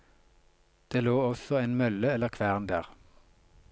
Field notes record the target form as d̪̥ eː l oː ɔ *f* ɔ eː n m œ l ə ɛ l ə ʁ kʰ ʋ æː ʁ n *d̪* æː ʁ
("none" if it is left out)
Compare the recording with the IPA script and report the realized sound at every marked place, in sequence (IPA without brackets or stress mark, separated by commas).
s, d̪